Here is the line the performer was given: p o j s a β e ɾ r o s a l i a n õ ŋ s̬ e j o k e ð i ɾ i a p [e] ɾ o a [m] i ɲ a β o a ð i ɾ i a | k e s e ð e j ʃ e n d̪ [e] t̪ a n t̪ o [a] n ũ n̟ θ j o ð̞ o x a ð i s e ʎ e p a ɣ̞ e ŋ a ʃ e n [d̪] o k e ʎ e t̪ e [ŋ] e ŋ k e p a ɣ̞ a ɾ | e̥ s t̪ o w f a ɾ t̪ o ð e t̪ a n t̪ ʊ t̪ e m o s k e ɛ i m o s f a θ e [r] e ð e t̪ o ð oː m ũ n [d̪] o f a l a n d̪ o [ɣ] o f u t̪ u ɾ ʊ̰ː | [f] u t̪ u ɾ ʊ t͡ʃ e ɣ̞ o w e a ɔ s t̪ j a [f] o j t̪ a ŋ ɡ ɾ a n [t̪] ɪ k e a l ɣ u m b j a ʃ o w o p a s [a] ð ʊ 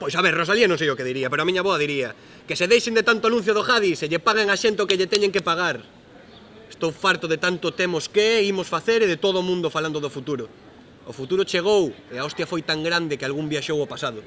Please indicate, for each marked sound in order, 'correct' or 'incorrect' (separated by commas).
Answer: correct, correct, correct, correct, incorrect, incorrect, incorrect, correct, incorrect, correct, correct, incorrect, correct